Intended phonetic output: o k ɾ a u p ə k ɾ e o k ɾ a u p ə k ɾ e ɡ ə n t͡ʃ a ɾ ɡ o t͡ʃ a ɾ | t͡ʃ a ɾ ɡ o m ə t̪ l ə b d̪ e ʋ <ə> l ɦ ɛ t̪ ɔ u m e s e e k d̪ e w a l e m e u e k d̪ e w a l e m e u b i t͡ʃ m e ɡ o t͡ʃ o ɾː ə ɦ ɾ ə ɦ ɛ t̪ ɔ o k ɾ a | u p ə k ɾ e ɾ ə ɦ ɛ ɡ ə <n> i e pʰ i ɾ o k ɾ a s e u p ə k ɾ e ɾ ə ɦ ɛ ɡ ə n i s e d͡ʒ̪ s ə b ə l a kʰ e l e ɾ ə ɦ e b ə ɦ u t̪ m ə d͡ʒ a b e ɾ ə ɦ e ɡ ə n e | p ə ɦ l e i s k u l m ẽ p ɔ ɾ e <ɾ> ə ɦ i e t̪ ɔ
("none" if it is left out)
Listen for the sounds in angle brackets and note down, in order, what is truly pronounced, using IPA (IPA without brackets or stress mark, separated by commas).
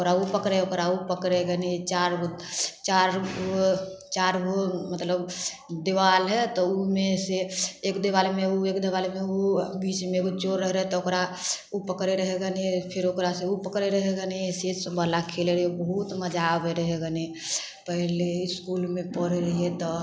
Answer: a, n, ɾ